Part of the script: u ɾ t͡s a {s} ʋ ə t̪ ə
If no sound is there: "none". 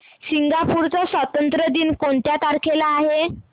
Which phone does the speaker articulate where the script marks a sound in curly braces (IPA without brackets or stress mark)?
s